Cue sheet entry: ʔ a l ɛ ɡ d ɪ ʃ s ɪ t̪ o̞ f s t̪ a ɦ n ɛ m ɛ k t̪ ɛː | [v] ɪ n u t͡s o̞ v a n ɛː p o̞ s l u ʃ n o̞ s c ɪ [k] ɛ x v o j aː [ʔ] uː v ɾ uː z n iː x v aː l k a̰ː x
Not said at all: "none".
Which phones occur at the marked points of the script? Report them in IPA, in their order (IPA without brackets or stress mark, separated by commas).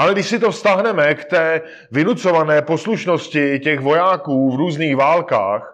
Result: v, c, k